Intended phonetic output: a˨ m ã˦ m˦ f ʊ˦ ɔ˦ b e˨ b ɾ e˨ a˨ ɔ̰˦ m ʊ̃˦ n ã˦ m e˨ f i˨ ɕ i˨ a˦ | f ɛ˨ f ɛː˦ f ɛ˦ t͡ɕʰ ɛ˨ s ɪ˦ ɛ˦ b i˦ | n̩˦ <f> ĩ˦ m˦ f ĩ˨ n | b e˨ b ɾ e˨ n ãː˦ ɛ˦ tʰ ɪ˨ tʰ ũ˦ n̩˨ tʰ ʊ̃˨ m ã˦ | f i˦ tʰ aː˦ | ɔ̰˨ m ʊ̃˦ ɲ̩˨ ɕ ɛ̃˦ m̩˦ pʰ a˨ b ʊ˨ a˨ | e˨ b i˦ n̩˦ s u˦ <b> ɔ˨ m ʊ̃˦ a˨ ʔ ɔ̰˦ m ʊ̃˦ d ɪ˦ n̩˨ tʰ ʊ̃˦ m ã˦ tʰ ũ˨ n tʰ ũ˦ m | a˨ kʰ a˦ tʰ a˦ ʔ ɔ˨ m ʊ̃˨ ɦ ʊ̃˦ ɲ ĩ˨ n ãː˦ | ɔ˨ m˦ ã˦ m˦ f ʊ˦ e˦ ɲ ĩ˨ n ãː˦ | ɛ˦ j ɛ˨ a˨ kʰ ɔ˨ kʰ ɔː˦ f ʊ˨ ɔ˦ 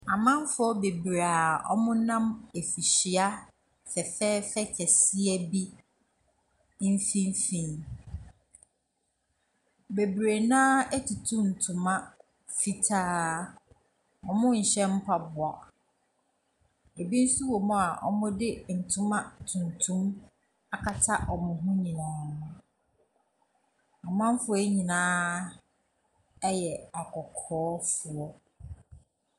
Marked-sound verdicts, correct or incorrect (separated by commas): correct, incorrect